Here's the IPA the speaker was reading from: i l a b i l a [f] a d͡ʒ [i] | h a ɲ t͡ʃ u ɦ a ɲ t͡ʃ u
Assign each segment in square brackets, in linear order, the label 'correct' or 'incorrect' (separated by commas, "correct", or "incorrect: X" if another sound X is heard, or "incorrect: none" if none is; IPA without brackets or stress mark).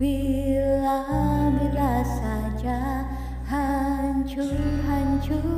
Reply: incorrect: s, incorrect: a